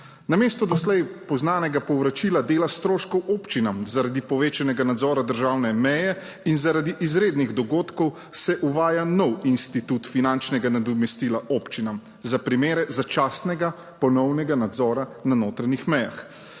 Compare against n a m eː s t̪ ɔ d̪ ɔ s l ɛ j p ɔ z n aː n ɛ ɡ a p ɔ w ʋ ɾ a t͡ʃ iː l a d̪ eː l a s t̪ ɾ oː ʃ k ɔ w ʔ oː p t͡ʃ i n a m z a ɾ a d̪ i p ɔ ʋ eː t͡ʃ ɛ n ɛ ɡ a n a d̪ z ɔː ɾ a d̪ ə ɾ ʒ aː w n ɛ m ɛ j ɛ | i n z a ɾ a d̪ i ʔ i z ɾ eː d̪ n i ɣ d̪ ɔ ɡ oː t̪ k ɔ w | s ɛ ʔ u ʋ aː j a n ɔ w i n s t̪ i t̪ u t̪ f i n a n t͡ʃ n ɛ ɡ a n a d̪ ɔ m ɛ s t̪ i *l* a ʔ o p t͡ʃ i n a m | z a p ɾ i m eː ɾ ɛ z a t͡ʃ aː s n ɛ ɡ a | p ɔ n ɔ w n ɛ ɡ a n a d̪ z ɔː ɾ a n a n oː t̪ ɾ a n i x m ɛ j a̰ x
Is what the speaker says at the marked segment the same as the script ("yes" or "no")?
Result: yes